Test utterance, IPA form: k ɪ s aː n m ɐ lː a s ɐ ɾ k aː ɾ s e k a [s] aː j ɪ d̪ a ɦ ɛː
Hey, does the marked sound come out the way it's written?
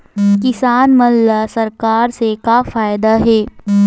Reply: no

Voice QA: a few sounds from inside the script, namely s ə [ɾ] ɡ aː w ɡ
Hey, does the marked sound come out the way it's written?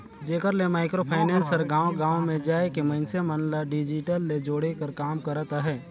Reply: yes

